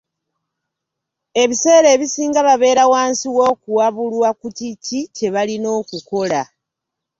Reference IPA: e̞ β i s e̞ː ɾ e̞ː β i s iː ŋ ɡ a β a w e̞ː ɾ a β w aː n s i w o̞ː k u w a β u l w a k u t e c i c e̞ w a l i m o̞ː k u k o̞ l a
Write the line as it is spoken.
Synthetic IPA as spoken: e̞ β i s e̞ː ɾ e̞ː β i s iː ŋ ɡ a β a β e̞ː ɾ a w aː n s i w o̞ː k u w a β u l w a k u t i c i c e̞ β a l i n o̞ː k u k o̞ l a